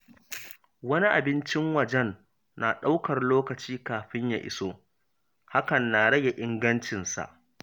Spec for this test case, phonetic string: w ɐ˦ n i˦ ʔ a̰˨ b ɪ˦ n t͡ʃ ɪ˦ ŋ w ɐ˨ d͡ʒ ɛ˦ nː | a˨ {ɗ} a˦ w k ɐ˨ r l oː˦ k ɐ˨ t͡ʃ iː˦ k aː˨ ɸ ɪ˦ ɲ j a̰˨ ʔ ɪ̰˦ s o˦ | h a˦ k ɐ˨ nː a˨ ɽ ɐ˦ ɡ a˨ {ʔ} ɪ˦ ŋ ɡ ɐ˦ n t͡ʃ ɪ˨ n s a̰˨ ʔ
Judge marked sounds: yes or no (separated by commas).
yes, yes